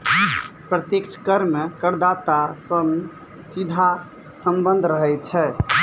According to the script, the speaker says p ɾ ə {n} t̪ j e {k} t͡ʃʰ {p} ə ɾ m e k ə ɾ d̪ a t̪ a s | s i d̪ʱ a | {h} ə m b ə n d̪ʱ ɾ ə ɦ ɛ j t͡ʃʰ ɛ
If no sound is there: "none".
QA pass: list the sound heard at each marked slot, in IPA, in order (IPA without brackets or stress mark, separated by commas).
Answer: none, k, k, s